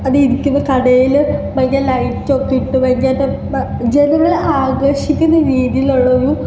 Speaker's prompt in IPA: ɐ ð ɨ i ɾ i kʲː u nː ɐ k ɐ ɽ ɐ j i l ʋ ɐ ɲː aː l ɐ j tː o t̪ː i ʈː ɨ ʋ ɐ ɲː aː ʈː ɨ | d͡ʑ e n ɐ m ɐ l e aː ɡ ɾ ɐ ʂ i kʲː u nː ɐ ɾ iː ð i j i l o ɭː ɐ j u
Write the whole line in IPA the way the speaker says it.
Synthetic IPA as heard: ɐ ð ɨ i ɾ i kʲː u nː ɐ k ɐ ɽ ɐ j i l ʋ ɐ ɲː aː l ɐ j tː o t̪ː i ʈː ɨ ʋ ɐ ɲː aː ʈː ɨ | d͡ʑ e n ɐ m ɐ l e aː ɡ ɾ ɐ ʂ i kʲː u nː ɐ ɾ iː ð i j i l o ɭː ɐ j u